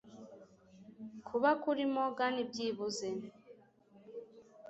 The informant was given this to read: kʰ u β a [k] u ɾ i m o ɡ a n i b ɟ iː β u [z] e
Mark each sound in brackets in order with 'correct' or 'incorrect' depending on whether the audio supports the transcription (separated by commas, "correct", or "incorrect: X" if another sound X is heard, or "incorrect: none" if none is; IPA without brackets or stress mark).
correct, correct